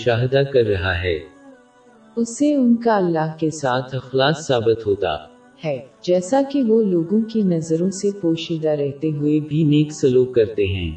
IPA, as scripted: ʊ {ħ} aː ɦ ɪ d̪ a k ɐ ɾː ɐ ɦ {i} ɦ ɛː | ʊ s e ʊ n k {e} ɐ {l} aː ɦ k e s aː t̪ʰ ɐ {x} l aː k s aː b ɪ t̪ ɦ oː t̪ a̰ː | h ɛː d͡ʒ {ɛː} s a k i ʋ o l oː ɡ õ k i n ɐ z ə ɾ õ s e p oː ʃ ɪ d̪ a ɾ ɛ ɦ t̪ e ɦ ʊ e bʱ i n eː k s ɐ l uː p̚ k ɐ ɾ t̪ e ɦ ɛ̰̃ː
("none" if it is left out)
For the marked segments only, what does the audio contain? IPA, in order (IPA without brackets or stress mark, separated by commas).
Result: ʃ, a, a, lː, x, ɛː